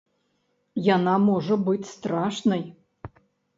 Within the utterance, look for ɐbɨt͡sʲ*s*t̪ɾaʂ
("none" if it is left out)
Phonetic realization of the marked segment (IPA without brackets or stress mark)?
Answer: s